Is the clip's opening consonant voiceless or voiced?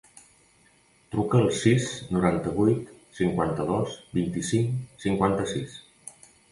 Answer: voiceless